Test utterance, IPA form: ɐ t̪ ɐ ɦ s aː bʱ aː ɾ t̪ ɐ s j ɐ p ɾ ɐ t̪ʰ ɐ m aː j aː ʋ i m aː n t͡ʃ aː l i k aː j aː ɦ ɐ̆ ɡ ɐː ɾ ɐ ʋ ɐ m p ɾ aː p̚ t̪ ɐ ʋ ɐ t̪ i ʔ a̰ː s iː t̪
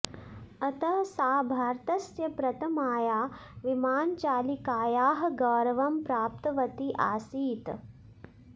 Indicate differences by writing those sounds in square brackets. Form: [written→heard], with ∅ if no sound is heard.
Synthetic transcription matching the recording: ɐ t̪ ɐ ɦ s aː bʱ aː ɾ t̪ ɐ s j ɐ p ɾ ɐ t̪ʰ ɐ m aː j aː ʋ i m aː n t͡ʃ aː l i k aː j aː ɦ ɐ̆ ɡ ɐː ɾ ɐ ʋ ɐ m p ɾ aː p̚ t̪ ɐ ʋ ɐ t̪ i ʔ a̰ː s iː t̪